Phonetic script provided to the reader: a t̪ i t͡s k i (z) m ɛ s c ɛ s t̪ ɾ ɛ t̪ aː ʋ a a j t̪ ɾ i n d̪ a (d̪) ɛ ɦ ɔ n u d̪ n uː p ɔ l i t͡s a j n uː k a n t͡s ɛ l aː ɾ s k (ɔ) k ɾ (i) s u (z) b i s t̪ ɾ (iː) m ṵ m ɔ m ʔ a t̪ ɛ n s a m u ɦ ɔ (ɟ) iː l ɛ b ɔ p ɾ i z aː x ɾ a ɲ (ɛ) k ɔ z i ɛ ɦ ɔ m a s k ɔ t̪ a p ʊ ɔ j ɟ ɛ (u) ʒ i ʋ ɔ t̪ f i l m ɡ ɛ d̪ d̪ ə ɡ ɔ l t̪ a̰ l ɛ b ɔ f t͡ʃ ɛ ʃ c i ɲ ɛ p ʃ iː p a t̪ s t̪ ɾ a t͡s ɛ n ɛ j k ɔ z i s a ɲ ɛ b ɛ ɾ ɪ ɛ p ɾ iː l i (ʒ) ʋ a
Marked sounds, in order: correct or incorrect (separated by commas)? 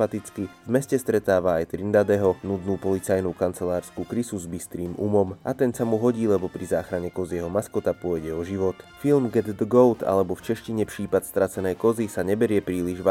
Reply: incorrect, correct, incorrect, correct, correct, correct, correct, correct, incorrect, correct